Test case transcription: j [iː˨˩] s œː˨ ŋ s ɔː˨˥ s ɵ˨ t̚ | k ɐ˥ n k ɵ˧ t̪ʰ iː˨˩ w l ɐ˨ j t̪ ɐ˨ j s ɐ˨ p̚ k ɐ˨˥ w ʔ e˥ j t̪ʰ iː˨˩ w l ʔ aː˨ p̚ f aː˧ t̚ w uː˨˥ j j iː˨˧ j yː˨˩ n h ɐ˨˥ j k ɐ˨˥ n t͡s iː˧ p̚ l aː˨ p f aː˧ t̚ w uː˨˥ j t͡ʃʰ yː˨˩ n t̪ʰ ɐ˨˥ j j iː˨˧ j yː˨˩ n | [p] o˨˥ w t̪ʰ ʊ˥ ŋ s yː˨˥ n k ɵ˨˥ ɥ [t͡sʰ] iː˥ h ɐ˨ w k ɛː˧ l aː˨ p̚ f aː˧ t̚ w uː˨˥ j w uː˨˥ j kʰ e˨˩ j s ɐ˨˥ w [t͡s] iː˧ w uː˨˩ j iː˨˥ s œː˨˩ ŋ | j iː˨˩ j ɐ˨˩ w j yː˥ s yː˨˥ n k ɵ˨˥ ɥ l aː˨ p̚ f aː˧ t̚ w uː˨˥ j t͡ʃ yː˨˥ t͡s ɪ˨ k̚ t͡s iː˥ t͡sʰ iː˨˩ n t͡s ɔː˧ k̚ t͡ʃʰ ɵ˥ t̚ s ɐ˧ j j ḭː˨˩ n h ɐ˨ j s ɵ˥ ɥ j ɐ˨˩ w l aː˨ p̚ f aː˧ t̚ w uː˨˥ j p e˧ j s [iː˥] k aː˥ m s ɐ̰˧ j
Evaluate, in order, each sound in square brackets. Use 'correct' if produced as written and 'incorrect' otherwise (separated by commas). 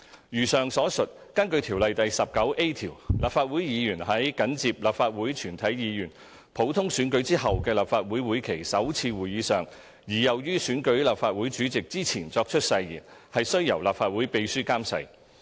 incorrect, incorrect, incorrect, incorrect, incorrect